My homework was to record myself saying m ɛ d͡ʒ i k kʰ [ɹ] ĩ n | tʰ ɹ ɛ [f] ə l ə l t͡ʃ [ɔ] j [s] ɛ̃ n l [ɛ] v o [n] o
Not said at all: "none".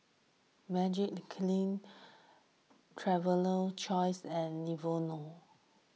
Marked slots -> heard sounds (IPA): l, v, ɔ, s, i, n

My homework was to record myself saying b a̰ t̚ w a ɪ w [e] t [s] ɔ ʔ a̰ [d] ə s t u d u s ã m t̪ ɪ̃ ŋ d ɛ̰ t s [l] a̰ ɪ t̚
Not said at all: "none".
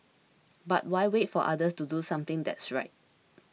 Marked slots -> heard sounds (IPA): e, f, d, ɹ

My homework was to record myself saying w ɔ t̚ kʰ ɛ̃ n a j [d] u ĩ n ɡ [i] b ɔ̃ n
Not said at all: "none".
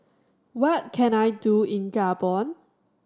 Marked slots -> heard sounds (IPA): d, a

